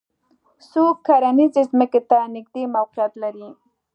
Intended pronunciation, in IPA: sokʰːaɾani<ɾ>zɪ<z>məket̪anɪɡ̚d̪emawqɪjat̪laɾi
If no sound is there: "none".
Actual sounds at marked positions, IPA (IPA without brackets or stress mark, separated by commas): none, z